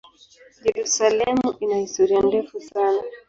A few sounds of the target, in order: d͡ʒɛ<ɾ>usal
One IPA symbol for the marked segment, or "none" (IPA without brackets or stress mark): ɾ